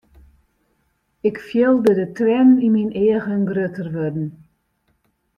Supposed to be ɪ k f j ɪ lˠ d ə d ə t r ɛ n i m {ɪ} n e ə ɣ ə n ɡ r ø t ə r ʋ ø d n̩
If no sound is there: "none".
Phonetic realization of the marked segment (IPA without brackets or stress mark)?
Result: i